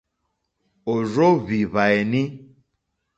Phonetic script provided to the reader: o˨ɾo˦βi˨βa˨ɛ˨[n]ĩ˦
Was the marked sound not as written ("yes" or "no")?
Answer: no